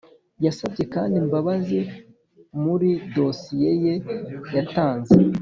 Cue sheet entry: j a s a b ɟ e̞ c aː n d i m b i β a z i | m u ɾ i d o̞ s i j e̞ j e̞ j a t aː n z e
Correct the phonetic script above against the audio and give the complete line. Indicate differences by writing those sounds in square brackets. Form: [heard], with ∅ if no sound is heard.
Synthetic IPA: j a s a b ɟ e̞ [k] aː n d i m b [a] β a z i | m u ɾ i d o̞ s i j e̞ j e̞ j a t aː n z e